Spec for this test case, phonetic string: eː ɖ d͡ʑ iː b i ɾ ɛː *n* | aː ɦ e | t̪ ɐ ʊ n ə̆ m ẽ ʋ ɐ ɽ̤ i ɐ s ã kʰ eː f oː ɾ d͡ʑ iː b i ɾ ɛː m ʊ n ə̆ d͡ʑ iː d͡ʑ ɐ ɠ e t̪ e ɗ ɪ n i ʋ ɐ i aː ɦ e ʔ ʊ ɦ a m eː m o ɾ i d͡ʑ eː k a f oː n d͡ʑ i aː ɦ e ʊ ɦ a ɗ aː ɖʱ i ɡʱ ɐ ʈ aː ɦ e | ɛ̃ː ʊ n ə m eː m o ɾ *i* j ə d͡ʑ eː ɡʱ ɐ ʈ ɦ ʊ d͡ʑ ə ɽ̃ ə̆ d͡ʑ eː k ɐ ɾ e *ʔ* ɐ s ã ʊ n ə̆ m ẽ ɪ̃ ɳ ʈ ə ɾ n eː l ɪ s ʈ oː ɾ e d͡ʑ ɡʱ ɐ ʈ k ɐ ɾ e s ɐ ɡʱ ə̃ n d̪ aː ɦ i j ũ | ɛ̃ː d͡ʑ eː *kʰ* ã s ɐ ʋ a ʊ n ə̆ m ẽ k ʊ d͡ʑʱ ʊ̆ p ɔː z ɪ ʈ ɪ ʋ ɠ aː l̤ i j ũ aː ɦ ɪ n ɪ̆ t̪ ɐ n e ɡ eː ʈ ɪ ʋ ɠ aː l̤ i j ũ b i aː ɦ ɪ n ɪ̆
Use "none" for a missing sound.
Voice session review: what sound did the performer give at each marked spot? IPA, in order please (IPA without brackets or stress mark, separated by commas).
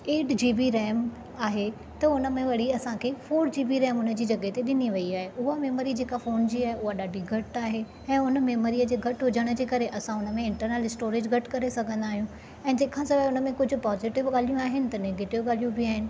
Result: m, i, ʔ, kʰ